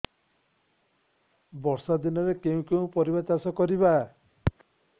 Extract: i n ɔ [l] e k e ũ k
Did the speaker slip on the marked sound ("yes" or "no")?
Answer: yes